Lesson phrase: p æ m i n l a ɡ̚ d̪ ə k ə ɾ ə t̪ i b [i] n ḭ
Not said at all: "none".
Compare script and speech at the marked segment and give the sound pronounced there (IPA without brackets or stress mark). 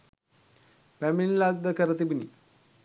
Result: i